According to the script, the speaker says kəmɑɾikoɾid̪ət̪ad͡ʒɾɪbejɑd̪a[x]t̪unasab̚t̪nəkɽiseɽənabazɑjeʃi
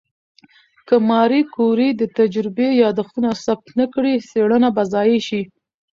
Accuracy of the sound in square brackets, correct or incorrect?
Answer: correct